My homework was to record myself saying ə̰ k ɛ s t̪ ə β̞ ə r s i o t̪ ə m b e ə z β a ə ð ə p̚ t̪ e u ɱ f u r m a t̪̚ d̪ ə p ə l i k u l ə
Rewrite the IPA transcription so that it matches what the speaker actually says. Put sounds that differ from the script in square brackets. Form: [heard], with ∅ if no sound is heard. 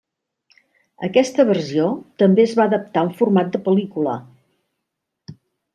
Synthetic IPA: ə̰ k ɛ s t̪ ə β̞ ə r s i o t̪ ə m b e ə z β a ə ð ə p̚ t̪ [a] u ɱ f u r m a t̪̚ d̪ ə p ə l i k u l ə